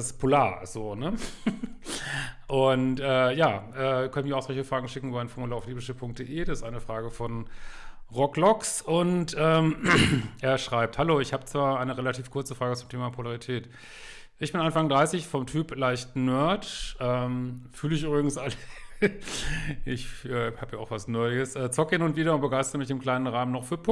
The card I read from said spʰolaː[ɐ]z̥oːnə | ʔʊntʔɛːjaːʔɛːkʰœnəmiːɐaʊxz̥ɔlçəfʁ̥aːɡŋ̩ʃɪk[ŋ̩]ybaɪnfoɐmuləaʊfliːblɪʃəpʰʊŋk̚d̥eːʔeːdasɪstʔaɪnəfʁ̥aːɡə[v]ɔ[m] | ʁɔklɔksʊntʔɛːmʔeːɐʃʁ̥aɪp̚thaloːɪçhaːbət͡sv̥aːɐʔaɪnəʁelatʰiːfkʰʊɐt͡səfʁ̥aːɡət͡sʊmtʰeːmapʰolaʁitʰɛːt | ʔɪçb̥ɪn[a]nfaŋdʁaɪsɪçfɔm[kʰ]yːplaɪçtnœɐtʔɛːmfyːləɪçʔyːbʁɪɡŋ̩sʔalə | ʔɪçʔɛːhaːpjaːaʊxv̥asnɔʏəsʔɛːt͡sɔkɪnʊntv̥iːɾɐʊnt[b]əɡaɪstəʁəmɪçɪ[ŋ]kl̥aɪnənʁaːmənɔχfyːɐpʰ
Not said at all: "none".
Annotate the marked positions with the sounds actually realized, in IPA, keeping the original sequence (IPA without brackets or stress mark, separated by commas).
ɐ, ŋ̩, f, n, a, tʰ, b, m